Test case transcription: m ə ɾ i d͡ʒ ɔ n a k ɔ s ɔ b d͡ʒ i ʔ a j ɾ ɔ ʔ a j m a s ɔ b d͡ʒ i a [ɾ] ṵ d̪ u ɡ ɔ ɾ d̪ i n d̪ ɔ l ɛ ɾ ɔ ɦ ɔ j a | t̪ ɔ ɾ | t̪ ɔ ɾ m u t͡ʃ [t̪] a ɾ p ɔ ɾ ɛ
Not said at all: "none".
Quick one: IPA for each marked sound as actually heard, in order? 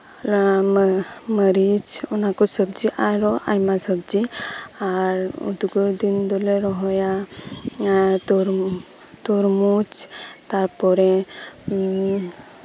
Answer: ɾ, t̪

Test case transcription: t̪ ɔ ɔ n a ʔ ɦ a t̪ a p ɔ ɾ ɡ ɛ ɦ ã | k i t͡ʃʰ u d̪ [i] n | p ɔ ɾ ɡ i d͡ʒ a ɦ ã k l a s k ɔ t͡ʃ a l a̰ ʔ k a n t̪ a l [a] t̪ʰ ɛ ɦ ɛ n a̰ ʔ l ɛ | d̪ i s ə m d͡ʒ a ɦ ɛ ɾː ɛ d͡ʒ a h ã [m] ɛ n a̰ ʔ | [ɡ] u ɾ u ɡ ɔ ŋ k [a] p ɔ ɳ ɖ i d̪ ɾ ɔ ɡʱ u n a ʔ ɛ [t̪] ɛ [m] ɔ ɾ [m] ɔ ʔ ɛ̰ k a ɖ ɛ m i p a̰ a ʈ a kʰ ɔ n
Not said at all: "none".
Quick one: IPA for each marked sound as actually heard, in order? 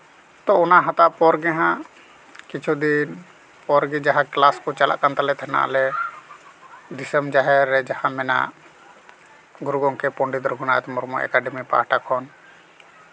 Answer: i, ɛ, m, ɡ, ɛ, t̪, m, m

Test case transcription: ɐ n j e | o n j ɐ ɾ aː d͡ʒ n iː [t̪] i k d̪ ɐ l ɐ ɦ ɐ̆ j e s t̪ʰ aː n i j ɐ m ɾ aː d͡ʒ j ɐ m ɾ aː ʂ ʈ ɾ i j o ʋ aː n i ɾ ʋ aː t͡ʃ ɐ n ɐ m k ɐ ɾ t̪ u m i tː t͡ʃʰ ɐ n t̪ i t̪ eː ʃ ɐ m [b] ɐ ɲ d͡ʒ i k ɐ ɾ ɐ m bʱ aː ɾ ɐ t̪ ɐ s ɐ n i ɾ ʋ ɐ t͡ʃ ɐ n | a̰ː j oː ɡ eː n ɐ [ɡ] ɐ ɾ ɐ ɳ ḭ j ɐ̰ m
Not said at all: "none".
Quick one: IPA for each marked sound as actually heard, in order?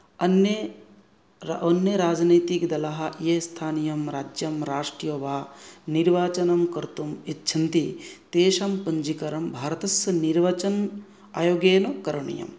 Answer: t̪, p, k

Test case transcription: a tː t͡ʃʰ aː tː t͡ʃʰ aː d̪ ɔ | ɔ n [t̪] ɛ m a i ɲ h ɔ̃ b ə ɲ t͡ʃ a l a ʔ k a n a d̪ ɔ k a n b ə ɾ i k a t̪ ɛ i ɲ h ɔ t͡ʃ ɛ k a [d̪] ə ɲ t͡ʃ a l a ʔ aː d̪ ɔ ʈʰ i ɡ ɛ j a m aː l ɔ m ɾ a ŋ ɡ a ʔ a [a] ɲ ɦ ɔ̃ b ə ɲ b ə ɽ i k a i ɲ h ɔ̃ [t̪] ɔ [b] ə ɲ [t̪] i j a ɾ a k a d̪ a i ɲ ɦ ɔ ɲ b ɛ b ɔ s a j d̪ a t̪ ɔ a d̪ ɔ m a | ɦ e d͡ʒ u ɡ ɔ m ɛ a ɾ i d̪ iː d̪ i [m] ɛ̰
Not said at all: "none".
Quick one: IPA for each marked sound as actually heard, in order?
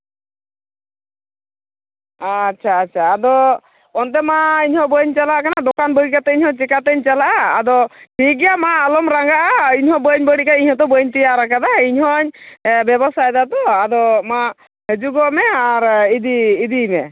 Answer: t̪, t̪, i, t̪, b, t̪, m

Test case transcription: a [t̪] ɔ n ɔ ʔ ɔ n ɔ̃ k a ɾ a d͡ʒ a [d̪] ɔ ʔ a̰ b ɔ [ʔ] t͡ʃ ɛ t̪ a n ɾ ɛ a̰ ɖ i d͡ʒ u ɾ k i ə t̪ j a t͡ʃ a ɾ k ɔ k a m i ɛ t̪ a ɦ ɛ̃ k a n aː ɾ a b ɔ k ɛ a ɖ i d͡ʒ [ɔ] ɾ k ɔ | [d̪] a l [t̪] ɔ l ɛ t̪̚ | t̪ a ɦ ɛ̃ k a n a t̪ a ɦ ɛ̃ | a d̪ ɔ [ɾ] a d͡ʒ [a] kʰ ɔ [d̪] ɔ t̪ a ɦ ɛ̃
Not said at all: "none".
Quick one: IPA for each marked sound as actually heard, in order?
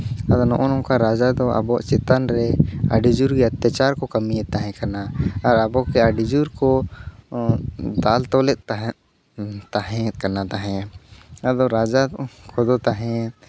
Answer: d̪, d̪, ʔ, u, d̪, t̪, ɾ, a, d̪

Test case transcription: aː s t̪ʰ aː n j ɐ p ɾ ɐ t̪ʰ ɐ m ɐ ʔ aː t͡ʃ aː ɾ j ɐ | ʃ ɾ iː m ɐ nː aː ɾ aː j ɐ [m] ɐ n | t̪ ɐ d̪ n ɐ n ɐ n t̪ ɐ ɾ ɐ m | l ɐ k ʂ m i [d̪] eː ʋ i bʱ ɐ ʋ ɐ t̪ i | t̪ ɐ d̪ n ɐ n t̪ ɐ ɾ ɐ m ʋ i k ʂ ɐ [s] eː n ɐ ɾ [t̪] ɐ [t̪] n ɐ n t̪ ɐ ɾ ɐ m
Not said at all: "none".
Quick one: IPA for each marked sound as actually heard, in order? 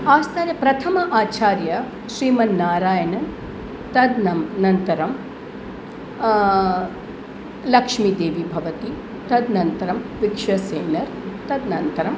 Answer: n, d̪, s, t̪, d̪

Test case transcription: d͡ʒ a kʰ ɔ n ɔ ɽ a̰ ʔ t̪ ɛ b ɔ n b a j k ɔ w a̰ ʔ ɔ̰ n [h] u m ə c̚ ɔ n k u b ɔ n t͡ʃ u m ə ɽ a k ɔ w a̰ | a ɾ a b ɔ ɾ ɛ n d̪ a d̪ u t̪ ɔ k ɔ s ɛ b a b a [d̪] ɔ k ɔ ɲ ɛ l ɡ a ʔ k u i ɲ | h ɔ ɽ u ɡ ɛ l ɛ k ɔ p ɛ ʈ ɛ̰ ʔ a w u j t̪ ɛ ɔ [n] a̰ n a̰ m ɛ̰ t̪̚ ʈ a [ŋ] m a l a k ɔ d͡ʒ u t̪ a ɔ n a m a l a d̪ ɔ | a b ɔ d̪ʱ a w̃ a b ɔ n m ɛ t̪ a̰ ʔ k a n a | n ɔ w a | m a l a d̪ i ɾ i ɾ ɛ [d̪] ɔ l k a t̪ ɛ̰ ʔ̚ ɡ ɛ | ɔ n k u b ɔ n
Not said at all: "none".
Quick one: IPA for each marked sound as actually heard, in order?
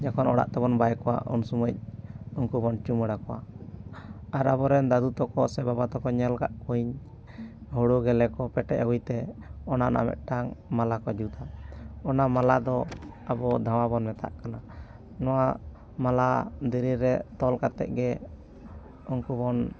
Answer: s, t̪, n, ŋ, t̪

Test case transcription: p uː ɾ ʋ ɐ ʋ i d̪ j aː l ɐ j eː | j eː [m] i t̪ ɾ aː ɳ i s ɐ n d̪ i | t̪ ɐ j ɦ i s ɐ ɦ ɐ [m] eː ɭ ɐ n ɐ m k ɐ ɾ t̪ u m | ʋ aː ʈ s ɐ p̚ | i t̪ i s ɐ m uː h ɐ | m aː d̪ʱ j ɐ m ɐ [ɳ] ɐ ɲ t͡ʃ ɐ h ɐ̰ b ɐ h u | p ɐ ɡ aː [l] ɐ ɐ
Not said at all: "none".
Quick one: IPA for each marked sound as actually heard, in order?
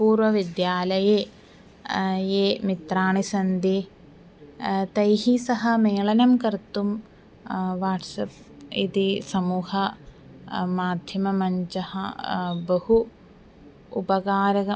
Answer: m, m, m, ɾ

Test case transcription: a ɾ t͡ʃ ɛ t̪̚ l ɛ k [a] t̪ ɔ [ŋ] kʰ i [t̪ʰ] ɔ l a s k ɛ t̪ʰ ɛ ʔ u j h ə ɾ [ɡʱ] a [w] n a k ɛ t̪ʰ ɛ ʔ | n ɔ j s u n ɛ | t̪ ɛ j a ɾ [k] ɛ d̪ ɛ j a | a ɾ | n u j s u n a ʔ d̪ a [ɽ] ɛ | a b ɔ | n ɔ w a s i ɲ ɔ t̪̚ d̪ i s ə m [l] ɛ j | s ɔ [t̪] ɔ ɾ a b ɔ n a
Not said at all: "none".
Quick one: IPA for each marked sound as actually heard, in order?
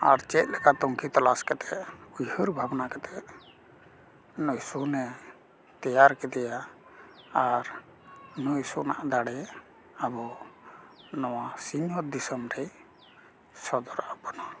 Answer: a, ŋ, t̪, bʱ, b, k, ɽ, ɾ, d̪

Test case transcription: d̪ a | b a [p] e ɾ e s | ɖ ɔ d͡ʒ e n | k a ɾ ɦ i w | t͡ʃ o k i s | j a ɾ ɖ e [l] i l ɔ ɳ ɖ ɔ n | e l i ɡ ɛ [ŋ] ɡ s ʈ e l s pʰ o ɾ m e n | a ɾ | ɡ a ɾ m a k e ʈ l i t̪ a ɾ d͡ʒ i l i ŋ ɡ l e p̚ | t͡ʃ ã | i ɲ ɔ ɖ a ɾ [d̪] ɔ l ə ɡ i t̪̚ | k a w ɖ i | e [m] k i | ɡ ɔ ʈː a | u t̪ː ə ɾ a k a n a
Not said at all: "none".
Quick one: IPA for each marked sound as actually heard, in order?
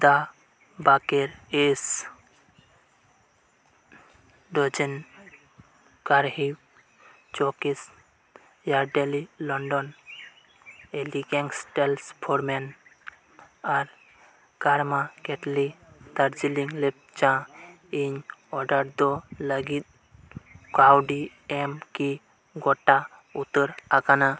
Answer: k, l, ŋ, d̪, m

